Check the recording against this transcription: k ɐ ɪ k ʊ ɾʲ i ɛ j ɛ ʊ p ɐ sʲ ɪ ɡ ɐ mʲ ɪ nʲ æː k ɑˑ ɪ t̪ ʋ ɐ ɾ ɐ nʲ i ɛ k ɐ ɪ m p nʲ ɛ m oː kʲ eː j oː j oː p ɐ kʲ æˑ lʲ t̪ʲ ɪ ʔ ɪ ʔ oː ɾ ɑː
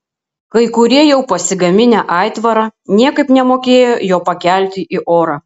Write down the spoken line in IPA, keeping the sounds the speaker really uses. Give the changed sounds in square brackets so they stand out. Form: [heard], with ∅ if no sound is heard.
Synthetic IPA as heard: k ɐ ɪ k ʊ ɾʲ i ɛ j ɛ ʊ p ɐ sʲ ɪ ɡ ɐ mʲ ɪ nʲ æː [ʔ] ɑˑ ɪ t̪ ʋ ɐ ɾ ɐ nʲ i ɛ k ɐ ɪ [∅] p nʲ ɛ m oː kʲ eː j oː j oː p ɐ kʲ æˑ lʲ t̪ʲ ɪ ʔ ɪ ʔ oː ɾ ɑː